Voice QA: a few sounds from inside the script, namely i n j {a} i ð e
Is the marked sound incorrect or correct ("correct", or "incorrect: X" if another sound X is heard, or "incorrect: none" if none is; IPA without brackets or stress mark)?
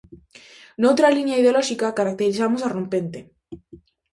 correct